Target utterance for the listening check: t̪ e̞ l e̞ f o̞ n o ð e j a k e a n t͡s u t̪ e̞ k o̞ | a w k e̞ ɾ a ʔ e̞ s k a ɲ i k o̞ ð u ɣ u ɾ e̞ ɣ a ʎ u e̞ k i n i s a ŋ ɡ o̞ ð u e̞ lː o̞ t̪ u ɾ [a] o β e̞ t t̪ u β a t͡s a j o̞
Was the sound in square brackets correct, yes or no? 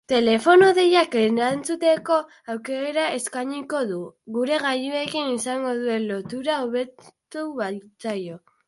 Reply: yes